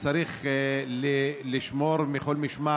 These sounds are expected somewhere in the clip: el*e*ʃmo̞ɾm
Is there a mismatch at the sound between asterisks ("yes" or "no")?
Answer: yes